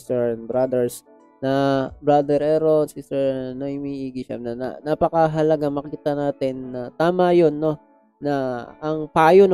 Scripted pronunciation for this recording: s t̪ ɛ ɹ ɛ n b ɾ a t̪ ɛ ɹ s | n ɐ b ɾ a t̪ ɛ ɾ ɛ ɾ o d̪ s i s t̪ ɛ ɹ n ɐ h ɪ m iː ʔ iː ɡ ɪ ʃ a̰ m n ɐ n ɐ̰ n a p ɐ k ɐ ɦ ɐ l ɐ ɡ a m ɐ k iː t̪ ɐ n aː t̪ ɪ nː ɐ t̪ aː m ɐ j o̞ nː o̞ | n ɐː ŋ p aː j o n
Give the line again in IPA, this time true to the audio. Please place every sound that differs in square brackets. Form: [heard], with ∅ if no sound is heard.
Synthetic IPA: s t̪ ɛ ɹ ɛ n b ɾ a [d̪] ɛ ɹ s | n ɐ b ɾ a [d̪] ɛ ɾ ɛ ɾ o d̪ s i s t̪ ɛ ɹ n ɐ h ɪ m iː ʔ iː ɡ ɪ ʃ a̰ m n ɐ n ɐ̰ n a p ɐ k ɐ ɦ ɐ l ɐ ɡ a m ɐ k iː t̪ ɐ n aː t̪ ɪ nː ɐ t̪ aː m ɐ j o̞ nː o̞ | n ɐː ŋ p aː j o n